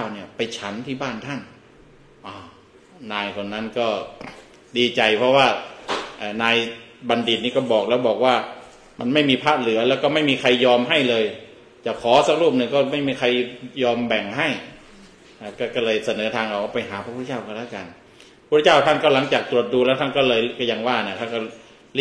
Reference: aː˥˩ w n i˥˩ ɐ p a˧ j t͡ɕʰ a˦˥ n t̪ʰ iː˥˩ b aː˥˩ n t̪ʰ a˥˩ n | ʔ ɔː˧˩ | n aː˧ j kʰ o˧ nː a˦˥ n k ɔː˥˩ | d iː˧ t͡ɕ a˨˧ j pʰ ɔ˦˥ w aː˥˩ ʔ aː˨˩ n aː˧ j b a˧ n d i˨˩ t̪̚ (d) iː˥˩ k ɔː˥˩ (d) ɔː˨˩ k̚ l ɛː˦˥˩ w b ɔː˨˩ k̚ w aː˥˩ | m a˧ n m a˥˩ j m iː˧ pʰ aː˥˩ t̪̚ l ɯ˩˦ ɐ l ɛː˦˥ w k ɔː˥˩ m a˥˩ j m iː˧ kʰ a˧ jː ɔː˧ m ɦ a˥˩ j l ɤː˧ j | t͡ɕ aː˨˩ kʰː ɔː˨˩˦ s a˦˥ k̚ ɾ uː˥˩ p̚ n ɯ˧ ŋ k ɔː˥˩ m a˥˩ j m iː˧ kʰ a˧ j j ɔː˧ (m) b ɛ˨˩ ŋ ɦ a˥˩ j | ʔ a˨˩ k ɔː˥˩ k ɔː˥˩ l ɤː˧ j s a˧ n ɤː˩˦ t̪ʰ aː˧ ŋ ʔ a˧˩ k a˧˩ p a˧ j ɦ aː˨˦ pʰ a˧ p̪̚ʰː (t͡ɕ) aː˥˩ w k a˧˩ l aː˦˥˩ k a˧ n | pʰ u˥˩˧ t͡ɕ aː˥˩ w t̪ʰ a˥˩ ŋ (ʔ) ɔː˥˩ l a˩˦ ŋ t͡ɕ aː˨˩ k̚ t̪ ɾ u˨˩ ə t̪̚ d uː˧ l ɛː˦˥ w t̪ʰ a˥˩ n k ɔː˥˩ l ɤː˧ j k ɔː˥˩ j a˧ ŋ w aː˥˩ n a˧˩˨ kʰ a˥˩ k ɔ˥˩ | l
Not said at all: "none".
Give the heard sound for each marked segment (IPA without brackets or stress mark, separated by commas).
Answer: n, b, m, t͡ɕ, k